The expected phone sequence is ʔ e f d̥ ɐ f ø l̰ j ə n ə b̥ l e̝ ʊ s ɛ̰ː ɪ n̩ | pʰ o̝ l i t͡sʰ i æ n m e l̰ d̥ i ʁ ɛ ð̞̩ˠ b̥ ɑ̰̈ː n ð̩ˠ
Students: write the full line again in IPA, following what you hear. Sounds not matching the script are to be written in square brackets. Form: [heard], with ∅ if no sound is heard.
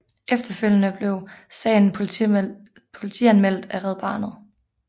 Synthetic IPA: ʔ e f d̥ ɐ f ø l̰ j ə n ə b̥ l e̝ ʊ s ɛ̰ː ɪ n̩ | pʰ o̝ l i t͡sʰ i æ n m e l̰ d̥ [æ] ʁ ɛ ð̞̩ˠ b̥ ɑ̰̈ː n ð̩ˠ

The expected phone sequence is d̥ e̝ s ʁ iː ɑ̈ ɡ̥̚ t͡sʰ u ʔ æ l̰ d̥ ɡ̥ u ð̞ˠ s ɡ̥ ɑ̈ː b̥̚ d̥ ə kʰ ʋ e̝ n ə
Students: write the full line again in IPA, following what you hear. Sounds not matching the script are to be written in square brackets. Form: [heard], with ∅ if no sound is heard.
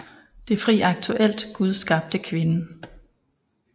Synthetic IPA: d̥ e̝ [f] ʁ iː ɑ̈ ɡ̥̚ t͡sʰ u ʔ [e] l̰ d̥ ɡ̥ u ð̞ˠ s ɡ̥ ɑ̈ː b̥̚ d̥ ə kʰ ʋ e̝ n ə

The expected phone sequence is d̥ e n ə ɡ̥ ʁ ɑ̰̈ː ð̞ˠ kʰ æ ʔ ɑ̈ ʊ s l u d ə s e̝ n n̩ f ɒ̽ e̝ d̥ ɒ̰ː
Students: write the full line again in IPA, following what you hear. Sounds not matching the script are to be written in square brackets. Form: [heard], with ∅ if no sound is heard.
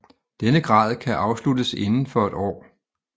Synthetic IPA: d̥ e n ə ɡ̥ ʁ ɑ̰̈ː ð̞ˠ kʰ æ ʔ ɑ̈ ʊ s l u d ə s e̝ n n̩ f ɒ̽ e̝ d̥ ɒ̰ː

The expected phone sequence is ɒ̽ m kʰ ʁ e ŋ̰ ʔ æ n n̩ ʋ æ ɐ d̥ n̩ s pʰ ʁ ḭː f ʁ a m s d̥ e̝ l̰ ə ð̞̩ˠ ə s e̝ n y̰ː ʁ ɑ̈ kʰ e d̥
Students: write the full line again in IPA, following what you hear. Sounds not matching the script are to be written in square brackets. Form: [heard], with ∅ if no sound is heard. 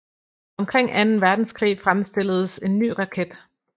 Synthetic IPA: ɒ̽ m kʰ ʁ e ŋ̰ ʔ æ n n̩ ʋ æ ɐ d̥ n̩ s [kʰ] ʁ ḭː f ʁ a m s d̥ e̝ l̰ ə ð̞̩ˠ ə s e̝ [nː] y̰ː ʁ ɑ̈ kʰ e d̥

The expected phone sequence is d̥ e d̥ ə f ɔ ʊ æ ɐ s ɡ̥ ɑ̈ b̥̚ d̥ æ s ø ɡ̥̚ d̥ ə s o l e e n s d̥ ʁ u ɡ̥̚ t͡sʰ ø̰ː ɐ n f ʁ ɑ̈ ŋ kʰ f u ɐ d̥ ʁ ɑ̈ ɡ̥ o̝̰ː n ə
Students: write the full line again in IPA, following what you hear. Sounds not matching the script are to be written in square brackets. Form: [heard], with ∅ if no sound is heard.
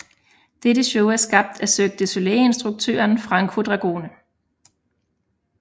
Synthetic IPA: d̥ e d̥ ə [ɕ] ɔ ʊ æ ɐ s ɡ̥ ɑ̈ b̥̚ d̥ æ s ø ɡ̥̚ d̥ ə s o l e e n s d̥ ʁ u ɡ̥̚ t͡sʰ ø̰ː ɐ n f ʁ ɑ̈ ŋ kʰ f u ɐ d̥ ʁ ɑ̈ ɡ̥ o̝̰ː n ə

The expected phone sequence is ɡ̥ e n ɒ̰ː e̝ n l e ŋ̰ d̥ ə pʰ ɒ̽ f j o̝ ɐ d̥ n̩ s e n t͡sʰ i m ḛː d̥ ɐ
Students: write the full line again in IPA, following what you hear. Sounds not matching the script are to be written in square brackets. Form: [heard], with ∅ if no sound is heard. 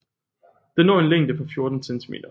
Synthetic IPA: [d̥] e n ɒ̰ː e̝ n l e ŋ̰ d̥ ə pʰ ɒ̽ f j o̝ ɐ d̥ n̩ s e n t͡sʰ i m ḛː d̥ ɐ

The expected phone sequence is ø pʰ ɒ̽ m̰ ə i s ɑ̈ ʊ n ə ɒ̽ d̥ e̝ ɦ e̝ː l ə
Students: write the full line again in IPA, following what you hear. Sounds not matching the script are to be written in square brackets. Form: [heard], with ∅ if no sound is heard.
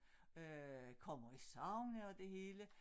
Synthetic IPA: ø [kʰ] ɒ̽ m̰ [ɐ] i s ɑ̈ ʊ n ə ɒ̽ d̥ e̝ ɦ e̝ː l ə

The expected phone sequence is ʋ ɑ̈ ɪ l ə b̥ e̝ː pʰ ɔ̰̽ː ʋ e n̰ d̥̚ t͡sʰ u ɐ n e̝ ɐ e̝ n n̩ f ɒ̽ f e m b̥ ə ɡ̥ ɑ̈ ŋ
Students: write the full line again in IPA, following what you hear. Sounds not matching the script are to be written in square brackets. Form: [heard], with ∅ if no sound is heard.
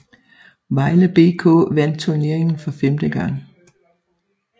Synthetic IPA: ʋ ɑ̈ ɪ l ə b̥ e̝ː [kʰ] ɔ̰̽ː ʋ [æ] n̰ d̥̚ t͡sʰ u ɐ n e̝ ɐ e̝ [ŋ] n̩ f ɒ̽ f e m [d̥] ə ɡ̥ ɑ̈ ŋ

